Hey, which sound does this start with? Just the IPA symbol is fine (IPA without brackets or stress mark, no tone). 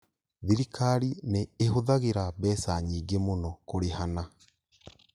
ð